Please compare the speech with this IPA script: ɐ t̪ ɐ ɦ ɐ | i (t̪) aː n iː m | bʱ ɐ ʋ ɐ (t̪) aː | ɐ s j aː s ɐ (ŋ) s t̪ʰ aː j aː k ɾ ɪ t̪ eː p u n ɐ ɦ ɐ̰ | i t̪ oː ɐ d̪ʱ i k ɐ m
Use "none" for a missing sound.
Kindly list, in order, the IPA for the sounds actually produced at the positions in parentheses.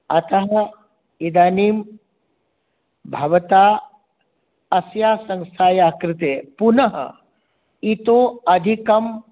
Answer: d̪, t̪, ŋ

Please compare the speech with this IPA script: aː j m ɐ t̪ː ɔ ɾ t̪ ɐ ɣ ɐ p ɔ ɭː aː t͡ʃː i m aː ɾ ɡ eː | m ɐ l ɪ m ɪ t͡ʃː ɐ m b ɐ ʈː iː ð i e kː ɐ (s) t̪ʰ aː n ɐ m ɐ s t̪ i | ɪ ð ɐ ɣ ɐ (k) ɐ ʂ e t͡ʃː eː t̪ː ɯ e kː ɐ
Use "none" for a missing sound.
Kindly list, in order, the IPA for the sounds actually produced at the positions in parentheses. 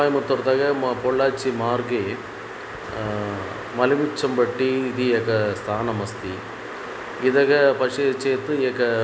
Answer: s, p

